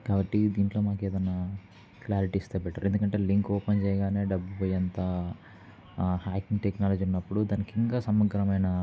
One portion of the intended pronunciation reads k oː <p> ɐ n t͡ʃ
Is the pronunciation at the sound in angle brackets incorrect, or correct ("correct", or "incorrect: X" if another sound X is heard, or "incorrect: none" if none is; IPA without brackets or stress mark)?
correct